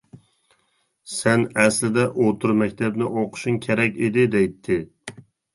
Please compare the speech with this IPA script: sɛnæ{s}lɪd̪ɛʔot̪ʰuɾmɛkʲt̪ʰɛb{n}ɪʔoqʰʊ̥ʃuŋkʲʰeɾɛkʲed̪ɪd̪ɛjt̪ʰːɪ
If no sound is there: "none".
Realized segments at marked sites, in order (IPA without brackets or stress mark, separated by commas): s, n